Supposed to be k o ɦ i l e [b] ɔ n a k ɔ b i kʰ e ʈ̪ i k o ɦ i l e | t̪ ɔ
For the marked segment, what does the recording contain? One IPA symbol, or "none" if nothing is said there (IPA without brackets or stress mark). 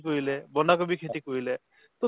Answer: b